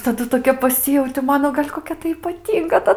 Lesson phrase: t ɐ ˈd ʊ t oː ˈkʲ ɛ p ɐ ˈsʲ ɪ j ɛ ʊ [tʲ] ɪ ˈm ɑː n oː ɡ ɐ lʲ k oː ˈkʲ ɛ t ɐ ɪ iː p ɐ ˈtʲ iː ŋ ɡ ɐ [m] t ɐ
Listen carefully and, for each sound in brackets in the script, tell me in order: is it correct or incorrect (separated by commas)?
correct, incorrect